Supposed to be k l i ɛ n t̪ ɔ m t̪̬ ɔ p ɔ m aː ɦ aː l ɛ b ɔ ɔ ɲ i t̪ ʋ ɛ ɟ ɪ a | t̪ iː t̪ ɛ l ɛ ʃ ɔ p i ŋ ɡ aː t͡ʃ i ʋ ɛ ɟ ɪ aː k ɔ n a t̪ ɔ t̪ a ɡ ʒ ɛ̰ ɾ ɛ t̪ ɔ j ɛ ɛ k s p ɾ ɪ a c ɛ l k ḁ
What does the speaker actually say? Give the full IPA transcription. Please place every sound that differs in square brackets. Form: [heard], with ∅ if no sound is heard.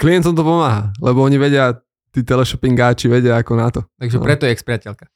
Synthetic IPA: k l i ɛ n t̪ ɔ m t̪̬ ɔ p ɔ m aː ɦ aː l ɛ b ɔ ɔ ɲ i [∅] ʋ ɛ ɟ ɪ a | t̪ iː t̪ ɛ l ɛ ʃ ɔ p i ŋ ɡ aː t͡ʃ i ʋ ɛ ɟ ɪ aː k ɔ n a t̪ ɔ t̪ a ɡ ʒ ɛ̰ ɾ ɛ t̪ ɔ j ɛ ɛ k s p ɾ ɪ a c ɛ l k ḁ